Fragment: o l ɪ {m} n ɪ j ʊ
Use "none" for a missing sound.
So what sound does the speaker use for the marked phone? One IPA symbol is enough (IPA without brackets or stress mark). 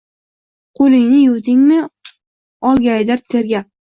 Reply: ŋ